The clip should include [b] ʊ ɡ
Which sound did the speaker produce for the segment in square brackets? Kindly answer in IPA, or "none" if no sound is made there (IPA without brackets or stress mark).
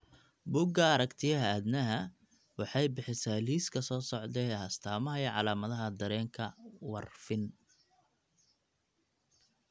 b